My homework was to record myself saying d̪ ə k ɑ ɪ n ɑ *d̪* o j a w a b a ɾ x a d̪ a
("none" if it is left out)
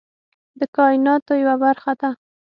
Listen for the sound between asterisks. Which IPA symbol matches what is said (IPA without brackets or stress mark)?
t̪